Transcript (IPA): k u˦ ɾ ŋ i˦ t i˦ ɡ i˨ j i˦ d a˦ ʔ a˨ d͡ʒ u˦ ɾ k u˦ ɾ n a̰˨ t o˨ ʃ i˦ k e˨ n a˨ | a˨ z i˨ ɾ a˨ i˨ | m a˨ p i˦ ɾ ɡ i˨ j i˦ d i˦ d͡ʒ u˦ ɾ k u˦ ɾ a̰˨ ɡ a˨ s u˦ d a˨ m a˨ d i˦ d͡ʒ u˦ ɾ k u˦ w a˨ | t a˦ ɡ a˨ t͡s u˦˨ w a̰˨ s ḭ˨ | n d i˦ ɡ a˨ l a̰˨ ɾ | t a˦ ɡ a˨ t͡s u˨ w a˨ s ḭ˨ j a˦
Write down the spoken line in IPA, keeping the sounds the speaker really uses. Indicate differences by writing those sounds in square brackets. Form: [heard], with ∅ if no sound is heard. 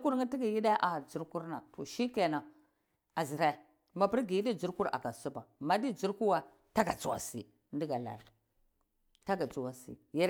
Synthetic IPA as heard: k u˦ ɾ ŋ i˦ t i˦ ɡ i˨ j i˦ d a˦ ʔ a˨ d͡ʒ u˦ ɾ k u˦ ɾ n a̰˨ t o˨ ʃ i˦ k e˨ n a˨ | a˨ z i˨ ɾ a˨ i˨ | m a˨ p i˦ ɾ ɡ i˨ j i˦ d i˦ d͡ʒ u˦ ɾ k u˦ ɾ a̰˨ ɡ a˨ s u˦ [b] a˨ m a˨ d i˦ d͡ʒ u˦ ɾ k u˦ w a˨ | t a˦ ɡ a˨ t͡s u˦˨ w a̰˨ s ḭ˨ | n d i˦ ɡ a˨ l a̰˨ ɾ | t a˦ ɡ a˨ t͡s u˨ w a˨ s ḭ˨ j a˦